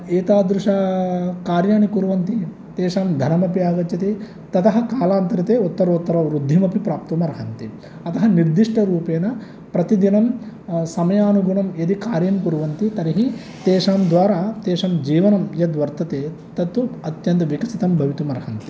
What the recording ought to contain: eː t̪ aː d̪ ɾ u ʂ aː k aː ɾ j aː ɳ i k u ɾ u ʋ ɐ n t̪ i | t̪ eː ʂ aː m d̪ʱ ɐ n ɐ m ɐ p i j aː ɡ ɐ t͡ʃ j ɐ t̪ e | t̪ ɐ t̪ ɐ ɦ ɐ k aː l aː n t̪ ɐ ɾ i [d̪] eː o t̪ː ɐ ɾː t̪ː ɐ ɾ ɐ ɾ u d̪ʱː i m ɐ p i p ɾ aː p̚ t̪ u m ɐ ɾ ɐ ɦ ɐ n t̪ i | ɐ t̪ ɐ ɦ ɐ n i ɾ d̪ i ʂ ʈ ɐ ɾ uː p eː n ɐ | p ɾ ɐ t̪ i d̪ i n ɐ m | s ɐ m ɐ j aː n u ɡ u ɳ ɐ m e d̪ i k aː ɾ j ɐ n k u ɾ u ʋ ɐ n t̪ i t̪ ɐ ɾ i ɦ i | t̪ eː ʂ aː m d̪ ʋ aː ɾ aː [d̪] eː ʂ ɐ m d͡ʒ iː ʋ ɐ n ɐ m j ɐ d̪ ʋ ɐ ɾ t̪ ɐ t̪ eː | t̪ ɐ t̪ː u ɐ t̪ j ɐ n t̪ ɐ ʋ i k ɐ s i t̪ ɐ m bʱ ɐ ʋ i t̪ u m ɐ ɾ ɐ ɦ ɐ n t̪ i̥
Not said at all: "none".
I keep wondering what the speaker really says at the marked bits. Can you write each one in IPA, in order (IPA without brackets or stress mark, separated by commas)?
t̪, t̪